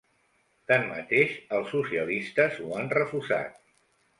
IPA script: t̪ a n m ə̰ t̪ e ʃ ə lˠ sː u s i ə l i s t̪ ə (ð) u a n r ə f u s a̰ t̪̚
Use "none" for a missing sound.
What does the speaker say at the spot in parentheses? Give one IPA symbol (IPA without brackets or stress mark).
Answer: z